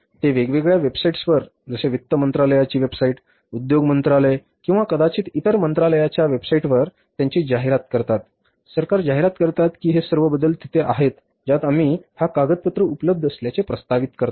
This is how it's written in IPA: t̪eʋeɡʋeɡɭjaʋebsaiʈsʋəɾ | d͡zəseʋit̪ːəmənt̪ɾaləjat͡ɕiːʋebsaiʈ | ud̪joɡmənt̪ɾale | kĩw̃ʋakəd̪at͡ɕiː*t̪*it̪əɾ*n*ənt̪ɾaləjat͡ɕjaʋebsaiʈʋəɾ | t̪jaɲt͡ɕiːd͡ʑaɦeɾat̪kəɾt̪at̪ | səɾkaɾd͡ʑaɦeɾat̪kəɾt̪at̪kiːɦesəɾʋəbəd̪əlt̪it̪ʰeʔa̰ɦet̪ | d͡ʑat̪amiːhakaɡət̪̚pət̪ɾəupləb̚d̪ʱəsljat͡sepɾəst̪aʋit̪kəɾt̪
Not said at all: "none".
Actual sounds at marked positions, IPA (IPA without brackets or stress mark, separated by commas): t̪, m